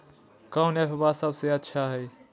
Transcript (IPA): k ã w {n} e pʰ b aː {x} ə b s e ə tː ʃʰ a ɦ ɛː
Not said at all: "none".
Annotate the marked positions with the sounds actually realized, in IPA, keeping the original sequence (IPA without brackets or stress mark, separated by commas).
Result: n, s